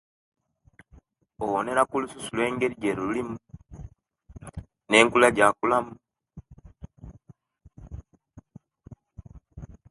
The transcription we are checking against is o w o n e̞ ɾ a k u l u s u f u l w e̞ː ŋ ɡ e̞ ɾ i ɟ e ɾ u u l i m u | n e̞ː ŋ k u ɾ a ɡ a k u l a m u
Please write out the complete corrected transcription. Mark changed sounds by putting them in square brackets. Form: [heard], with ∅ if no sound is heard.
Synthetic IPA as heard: o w o n e̞ ɾ a k u l u s u [s] u l w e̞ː ŋ ɡ e̞ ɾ i ɟ e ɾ u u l i m u | n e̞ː ŋ k u [l] a [ɟ] a k u l a m u